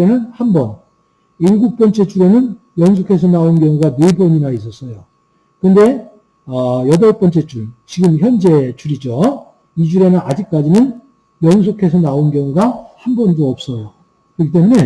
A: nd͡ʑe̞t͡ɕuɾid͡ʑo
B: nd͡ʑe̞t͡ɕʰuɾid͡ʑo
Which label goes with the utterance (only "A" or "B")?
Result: B